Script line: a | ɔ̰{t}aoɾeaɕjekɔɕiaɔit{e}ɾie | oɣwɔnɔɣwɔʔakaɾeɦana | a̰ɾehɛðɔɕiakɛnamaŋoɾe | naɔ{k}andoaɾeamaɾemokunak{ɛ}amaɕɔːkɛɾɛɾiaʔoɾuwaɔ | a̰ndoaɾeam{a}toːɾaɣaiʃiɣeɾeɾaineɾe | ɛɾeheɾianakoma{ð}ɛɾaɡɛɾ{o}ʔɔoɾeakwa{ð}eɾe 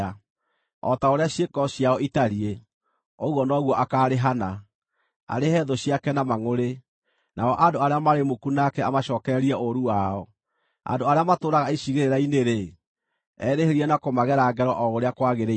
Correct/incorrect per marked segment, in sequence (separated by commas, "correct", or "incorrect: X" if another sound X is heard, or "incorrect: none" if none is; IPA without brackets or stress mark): correct, incorrect: a, incorrect: ʔ, correct, correct, incorrect: ɣ, incorrect: ɔ, incorrect: ɣ